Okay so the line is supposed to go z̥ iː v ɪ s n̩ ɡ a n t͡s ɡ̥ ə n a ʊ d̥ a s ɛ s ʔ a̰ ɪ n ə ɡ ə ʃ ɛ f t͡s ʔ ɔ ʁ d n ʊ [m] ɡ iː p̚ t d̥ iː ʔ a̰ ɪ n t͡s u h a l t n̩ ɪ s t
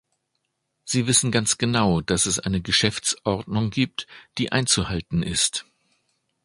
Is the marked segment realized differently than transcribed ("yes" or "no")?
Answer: yes